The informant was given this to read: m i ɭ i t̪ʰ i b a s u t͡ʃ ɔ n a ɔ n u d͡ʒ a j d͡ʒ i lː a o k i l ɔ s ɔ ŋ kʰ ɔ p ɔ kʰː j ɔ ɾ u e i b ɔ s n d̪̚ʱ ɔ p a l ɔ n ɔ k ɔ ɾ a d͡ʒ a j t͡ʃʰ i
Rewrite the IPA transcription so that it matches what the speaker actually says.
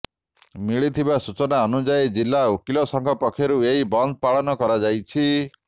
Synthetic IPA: m i ɭ i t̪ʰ i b a s u t͡ʃ ɔ n a ɔ n u d͡ʒ a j d͡ʒ i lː a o k i l ɔ s ɔ ŋ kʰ ɔ p ɔ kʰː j ɔ ɾ u e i b ɔ n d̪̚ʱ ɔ p a ɭ ɔ n ɔ k ɔ ɾ a d͡ʒ a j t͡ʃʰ i